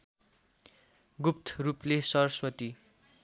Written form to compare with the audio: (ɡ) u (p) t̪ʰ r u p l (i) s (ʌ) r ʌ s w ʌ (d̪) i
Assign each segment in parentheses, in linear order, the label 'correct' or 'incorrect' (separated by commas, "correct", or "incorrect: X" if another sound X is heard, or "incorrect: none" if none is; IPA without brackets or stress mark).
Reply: correct, correct, incorrect: e, correct, incorrect: t̪